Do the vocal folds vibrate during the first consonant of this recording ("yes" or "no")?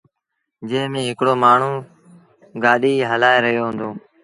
yes